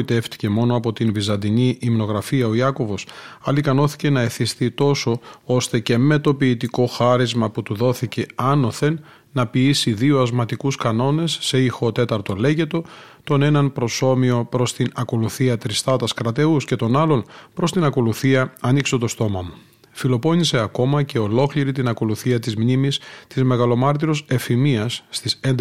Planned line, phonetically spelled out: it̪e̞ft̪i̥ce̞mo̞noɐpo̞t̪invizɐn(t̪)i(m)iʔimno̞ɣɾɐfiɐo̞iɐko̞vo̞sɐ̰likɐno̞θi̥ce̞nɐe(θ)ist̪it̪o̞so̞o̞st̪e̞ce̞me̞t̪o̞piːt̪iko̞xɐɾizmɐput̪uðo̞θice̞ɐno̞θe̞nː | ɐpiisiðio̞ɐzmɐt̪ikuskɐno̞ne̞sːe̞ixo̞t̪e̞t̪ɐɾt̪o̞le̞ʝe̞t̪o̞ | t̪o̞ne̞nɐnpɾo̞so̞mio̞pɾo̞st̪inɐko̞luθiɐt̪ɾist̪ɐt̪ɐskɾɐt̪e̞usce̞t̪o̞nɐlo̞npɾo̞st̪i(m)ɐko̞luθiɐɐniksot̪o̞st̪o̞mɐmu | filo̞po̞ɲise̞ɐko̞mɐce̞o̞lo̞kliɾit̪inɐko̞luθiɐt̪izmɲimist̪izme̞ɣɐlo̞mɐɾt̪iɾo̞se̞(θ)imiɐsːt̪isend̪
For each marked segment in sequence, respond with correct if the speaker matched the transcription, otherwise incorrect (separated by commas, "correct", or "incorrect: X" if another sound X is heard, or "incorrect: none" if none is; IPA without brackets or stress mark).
incorrect: d̪, incorrect: ɲ, correct, incorrect: n, incorrect: f